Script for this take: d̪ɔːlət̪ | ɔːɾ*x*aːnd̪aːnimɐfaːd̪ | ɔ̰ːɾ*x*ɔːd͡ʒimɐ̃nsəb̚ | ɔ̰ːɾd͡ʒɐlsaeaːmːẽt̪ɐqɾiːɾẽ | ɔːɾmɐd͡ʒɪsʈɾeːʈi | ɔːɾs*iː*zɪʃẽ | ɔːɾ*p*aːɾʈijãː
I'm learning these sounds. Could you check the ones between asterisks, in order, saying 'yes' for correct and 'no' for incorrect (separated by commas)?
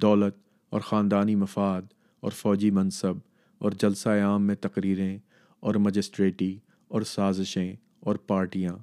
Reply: yes, no, no, yes